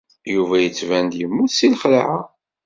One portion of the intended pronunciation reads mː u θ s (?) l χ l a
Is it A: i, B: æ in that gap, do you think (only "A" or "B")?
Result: A